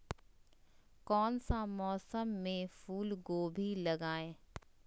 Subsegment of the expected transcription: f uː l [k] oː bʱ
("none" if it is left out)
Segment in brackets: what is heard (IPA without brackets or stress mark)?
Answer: ɡ